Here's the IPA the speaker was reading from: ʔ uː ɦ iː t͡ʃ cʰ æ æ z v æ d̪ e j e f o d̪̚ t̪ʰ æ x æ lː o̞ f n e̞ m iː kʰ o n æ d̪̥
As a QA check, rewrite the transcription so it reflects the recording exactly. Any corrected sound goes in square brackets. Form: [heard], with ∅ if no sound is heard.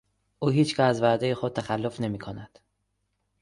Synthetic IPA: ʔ uː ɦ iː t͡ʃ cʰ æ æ z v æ d̪ e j e [x] o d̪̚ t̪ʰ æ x æ lː o̞ f n e̞ m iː kʰ o n æ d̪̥